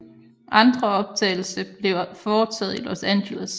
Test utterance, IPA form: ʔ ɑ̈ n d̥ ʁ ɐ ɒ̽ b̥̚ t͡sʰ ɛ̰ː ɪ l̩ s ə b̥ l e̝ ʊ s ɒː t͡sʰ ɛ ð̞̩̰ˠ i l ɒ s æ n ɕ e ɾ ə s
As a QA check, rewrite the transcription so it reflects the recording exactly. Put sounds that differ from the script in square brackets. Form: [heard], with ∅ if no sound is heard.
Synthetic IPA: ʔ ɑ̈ n d̥ ʁ ɐ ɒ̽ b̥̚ t͡sʰ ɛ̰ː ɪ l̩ s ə b̥ l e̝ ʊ [f] ɒː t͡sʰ ɛ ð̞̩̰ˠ i l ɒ s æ n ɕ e [l] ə s